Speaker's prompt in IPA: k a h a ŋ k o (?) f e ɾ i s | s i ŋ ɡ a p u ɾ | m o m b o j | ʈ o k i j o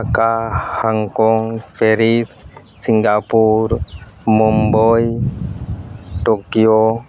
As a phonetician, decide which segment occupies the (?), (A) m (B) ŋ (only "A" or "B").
B